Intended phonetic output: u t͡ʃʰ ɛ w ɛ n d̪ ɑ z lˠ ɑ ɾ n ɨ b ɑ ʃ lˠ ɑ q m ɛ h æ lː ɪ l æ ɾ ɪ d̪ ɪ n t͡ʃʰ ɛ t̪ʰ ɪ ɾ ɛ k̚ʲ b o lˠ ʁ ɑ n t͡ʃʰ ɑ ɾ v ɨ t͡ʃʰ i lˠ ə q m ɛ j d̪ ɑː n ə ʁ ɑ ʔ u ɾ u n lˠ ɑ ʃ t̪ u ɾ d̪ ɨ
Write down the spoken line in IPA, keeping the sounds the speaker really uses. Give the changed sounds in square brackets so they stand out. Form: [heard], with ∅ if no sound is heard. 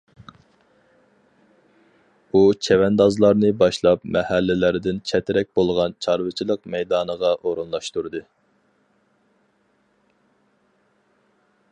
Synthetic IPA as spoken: u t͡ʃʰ ɛ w ɛ n d̪ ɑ z lˠ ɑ ɾ n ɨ b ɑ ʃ lˠ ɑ [p] m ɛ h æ lː ɪ l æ ɾ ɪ d̪ ɪ n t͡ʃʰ ɛ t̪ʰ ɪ ɾ ɛ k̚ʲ b o lˠ ʁ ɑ n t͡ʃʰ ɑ ɾ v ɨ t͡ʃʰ i lˠ ə q m ɛ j d̪ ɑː n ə ʁ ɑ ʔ [o] ɾ u n lˠ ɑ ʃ t̪ u ɾ d̪ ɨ